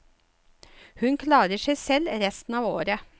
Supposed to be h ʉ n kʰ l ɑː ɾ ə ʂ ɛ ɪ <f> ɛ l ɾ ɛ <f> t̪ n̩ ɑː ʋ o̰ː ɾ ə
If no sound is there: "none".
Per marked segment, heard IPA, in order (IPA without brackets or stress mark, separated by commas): s, s